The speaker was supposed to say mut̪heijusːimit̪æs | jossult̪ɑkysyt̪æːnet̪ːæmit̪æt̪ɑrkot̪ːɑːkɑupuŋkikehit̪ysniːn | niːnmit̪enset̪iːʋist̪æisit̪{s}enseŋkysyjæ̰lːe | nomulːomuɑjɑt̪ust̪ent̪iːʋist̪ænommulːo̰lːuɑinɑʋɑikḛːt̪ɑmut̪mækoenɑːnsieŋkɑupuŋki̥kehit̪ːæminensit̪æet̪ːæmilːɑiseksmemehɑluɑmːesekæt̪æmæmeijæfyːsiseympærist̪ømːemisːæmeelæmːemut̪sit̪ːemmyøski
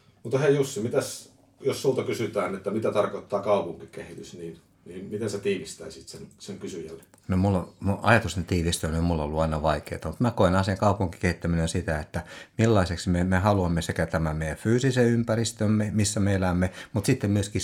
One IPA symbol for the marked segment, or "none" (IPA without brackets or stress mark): s